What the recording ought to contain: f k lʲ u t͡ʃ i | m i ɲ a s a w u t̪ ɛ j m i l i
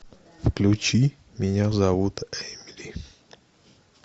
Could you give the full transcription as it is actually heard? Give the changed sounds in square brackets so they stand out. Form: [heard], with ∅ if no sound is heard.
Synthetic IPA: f k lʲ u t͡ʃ i | m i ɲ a [z] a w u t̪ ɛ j m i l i